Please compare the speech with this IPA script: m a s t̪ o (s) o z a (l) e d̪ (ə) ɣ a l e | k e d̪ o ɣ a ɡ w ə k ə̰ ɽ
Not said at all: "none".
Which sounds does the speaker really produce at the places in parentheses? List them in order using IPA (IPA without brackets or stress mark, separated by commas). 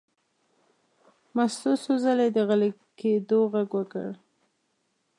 s, l, ə